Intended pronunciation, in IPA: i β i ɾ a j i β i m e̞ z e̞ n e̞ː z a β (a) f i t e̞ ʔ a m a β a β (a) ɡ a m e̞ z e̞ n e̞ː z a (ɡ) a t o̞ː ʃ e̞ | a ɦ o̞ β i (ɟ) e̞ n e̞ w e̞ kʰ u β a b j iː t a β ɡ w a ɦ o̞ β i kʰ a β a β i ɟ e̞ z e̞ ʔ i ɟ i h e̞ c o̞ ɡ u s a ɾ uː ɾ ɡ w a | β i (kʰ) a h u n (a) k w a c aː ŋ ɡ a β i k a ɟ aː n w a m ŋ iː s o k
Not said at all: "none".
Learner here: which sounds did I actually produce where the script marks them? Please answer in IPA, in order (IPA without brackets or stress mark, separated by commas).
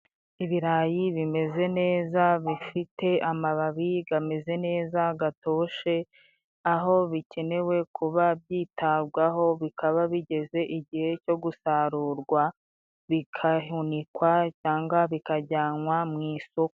i, i, ɡ, c, kʰ, i